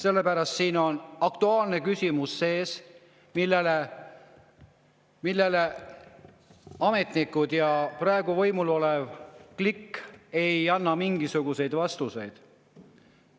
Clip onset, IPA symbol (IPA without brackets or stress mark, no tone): s